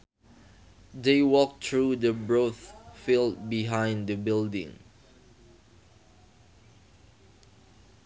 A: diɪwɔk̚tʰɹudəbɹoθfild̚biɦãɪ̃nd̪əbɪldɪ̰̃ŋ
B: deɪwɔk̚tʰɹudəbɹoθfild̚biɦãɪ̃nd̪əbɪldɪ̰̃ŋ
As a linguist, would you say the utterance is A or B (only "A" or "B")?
B